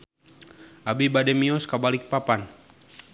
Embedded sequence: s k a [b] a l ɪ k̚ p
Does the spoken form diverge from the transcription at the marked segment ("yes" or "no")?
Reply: no